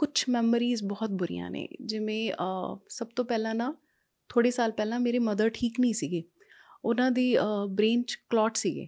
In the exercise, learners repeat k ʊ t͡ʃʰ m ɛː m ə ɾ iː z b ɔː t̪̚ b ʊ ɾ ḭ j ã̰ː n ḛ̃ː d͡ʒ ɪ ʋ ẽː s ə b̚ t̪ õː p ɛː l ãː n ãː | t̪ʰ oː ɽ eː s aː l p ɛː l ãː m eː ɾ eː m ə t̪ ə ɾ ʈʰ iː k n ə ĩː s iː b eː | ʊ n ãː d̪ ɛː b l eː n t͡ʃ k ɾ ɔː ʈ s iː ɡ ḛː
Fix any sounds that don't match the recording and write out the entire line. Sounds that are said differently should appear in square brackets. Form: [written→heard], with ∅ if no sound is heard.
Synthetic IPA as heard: k ʊ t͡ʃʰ m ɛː m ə ɾ iː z b ɔː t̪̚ b ʊ ɾ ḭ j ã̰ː n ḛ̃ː d͡ʒ ɪ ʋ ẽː s ə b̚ t̪ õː p ɛː l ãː n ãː | t̪ʰ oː ɽ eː s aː l p ɛː l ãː m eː ɾ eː m ə [t̪→d̪] ə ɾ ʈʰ iː k n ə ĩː s iː [b→ɡ] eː | ʊ n ãː d̪ [ɛː→iː] b [l→ɾ] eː n t͡ʃ k [ɾ→l] ɔː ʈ s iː ɡ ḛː